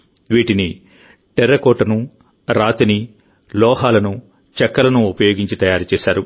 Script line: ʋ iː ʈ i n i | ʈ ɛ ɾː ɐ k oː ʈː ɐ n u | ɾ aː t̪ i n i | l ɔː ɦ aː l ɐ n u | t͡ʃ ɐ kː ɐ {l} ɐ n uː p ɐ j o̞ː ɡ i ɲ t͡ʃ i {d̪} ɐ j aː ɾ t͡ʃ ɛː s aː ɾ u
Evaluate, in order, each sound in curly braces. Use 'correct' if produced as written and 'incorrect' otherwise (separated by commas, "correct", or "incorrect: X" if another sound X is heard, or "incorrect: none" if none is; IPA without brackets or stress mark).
correct, incorrect: t̪